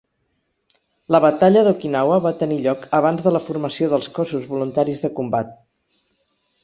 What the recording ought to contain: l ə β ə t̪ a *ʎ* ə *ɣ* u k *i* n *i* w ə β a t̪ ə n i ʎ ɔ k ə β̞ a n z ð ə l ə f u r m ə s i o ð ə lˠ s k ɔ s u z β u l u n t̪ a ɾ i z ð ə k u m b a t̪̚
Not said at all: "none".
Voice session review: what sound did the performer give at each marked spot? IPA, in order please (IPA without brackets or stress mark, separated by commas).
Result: ʎ, ð, i, a